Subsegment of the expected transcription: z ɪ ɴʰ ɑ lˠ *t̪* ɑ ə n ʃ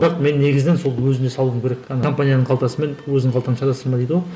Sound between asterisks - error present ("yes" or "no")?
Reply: no